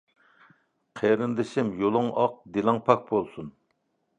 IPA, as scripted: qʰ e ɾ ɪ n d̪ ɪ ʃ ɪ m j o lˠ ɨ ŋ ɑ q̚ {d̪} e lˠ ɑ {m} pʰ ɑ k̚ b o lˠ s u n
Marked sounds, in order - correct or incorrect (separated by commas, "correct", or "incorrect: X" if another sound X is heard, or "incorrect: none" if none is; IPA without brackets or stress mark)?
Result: correct, incorrect: ŋ